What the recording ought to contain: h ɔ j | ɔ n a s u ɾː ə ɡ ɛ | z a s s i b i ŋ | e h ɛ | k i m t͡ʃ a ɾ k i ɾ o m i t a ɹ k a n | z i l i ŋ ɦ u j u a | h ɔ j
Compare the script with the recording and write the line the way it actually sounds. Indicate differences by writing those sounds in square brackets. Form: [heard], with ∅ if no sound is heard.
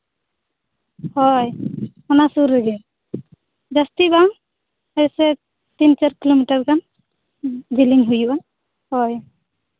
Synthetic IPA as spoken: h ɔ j | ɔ n a s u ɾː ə ɡ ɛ | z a s [t] i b [a] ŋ | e [s] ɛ | [t] i [n] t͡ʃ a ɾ k i [l] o m i t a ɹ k a n | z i l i ŋ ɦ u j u a | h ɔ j